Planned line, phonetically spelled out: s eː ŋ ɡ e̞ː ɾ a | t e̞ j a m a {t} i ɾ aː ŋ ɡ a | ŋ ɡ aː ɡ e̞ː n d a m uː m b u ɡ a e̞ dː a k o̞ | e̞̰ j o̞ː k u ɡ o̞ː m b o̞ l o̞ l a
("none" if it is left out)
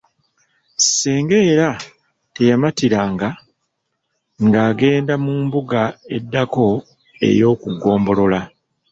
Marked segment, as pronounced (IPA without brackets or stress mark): t